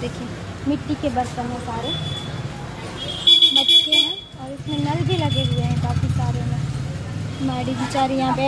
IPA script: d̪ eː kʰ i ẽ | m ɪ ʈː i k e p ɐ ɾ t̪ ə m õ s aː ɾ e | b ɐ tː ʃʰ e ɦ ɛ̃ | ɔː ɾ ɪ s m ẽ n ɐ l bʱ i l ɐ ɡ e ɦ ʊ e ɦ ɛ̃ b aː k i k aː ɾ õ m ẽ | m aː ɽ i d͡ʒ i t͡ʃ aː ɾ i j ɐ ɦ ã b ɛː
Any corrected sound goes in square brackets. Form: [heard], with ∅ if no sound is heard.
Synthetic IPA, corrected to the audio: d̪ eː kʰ i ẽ | m ɪ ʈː i k e [b] ɐ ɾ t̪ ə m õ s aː ɾ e | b ɐ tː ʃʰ e ɦ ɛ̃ | ɔː ɾ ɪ s m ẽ n ɐ l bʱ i l ɐ ɡ e ɦ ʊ e ɦ ɛ̃ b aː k i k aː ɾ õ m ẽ | m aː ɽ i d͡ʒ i t͡ʃ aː ɾ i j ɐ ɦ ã b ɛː